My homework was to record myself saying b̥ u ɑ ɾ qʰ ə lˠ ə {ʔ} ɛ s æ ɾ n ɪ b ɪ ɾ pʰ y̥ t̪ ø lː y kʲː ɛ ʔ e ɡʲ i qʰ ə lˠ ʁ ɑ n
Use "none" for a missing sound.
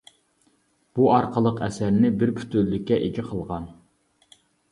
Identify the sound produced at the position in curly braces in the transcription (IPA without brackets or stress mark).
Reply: q